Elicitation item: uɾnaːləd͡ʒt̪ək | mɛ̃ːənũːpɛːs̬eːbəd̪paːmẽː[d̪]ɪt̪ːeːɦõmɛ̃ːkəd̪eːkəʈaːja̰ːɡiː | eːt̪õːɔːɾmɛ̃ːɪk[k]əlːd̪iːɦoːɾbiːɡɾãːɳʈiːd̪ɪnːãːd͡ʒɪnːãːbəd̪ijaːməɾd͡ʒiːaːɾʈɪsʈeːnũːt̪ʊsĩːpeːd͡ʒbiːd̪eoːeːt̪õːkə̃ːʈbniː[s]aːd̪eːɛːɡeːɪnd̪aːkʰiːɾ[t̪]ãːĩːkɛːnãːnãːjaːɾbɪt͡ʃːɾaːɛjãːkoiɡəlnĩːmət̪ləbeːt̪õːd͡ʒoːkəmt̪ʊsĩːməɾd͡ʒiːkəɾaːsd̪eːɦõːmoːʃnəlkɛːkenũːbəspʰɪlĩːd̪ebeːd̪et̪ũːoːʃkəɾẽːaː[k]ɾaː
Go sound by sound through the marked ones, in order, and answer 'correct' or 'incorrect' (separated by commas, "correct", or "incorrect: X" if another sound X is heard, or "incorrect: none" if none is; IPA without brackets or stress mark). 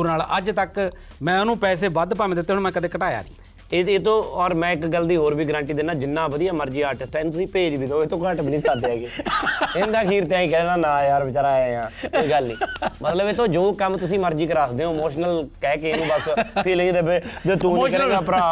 correct, incorrect: ɡ, correct, correct, incorrect: p